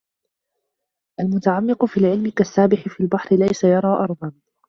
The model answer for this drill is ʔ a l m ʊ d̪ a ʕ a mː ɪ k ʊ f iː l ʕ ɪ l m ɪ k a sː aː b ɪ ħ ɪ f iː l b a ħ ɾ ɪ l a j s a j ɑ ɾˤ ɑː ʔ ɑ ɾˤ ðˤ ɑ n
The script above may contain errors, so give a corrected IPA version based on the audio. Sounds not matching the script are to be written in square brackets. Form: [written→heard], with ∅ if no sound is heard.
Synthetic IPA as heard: ʔ a l m ʊ [d̪→t̪] a ʕ a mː ɪ [k→q] ʊ f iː l ʕ ɪ l m ɪ k a sː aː b ɪ ħ ɪ f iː l b a ħ ɾ ɪ l a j s a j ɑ ɾˤ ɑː ʔ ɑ ɾˤ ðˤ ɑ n